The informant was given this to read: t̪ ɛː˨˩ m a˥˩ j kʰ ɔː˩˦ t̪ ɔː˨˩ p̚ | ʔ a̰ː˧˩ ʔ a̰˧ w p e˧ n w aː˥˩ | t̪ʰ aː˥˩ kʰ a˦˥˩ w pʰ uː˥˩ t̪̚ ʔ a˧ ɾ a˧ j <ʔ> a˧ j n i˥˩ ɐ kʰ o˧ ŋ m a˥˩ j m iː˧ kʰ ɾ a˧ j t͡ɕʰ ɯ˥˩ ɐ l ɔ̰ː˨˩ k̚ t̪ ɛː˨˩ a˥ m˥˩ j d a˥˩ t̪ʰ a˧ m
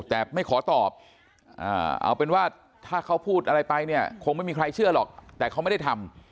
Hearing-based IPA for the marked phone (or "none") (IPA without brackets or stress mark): p